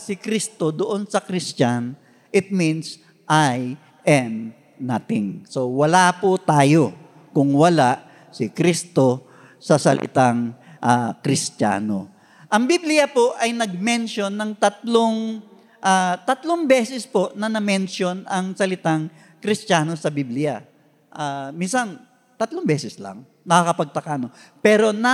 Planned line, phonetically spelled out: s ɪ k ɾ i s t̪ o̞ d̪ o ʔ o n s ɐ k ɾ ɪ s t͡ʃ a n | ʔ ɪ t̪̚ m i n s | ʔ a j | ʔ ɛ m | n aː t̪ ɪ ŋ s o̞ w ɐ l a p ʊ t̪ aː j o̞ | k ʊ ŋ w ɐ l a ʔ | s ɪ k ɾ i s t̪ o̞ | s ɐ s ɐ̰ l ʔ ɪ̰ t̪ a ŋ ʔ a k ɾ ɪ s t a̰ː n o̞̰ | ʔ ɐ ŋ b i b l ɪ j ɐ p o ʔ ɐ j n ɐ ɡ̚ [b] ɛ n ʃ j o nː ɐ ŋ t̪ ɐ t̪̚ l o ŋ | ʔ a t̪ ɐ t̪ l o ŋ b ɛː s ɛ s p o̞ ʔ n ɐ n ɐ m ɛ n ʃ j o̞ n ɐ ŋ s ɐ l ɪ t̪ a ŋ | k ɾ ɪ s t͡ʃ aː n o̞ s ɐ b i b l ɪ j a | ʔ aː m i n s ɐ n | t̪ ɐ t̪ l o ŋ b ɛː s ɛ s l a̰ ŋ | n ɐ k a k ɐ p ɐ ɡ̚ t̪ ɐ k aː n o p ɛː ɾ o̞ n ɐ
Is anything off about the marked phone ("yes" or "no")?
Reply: yes